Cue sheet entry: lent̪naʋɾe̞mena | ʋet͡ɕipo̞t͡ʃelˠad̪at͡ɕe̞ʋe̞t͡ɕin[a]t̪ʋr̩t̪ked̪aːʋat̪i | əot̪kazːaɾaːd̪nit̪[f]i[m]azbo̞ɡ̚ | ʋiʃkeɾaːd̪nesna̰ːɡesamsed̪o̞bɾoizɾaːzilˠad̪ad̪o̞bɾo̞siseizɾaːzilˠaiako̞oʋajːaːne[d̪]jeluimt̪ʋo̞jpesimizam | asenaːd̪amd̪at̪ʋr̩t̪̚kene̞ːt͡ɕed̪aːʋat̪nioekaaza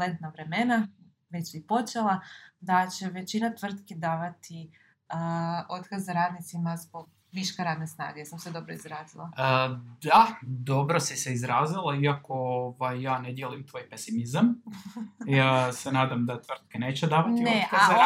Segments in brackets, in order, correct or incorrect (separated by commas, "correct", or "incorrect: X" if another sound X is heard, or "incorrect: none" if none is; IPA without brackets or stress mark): correct, incorrect: s, correct, correct